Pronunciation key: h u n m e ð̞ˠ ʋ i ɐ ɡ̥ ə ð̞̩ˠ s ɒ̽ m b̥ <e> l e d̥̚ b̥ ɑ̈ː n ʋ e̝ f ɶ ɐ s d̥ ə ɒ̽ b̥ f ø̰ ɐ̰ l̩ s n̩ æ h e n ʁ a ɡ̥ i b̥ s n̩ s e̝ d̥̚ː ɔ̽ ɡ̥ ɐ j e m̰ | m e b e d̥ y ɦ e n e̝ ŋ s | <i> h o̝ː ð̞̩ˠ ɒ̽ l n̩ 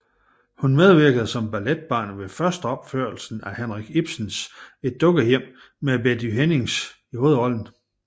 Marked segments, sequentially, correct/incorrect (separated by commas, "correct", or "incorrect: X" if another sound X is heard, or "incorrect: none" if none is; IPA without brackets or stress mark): incorrect: æ, correct